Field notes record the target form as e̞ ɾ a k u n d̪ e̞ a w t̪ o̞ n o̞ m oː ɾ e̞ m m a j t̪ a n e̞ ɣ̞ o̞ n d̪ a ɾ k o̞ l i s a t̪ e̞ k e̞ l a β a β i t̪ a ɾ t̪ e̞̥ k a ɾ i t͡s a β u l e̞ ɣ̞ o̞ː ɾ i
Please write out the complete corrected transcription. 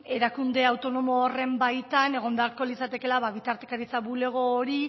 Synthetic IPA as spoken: e̞ ɾ a k u n d̪ e̞ a w t̪ o̞ n o̞ m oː r e̞ m b a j t̪ a n e̞ ɣ̞ o̞ n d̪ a ɾ k o̞ l i s a t̪ e̞ k e̞ l a β a β i t̪ a ɾ t̪ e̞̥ k a ɾ i t͡s a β u l e̞ ɣ̞ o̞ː ɾ i